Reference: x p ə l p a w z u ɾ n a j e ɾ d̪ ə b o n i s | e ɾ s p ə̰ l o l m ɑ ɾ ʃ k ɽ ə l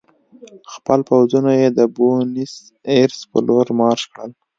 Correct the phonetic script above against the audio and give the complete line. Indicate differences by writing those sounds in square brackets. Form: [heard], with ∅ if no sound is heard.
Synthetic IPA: x p ə l p a w z u [∅] n a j e [∅] d̪ ə b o n i s | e ɾ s p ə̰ l o [ɾ] m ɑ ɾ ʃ k ɽ ə l